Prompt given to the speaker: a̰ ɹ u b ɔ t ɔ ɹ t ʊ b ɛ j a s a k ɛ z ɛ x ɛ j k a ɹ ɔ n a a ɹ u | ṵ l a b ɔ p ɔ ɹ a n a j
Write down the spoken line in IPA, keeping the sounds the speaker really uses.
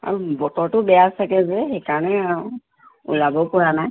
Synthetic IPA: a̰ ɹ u b ɔ t ɔ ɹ t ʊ b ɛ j a s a k ɛ z ɛ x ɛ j k a ɹ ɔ n ɛ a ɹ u | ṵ l a b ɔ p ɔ ɹ a n a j